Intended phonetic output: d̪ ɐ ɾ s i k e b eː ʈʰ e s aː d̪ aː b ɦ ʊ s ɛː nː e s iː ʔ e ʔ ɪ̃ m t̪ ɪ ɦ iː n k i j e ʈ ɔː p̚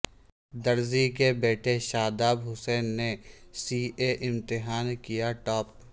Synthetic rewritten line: d̪ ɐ ɾ z i k e b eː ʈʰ e ʃ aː d̪ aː b ɦ ʊ s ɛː nː e s iː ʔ e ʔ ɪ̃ m t̪ ɪ ɦ aː n k i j a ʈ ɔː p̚